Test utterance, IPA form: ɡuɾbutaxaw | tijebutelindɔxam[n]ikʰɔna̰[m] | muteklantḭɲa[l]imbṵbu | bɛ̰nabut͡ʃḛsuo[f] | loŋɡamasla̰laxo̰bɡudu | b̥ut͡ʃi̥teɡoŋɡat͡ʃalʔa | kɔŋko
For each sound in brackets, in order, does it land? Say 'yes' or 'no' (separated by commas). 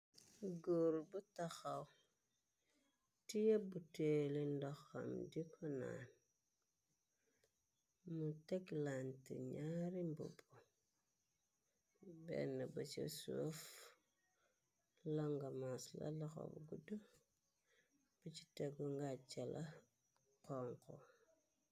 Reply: no, no, no, yes